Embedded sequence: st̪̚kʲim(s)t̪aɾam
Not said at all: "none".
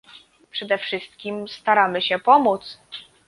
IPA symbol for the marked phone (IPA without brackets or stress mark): s